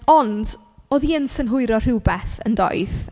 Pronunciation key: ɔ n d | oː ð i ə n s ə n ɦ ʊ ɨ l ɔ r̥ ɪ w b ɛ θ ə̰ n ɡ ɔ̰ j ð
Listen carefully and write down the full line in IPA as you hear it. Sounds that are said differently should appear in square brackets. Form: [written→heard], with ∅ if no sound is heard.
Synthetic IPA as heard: ɔ n d | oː ð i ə n s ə n ɦ ʊ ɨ [l→ɾ] ɔ r̥ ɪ w b ɛ θ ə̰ n [ɡ→d] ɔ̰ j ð